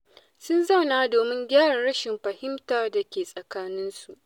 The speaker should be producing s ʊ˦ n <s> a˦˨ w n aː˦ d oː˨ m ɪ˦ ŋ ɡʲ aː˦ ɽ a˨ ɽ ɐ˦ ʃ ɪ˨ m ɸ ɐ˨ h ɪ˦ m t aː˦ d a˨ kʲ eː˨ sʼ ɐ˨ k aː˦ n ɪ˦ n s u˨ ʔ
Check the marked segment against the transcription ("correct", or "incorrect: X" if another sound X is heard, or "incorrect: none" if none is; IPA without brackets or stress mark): incorrect: z